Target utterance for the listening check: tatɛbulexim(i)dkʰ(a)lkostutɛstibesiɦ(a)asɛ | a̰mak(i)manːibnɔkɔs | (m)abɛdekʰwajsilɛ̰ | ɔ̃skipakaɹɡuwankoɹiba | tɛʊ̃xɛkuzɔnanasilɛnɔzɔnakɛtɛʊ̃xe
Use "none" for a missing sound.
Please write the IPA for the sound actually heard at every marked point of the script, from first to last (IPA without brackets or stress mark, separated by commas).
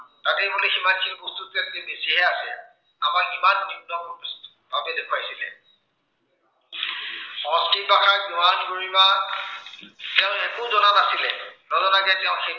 a, i, ɛ, i, b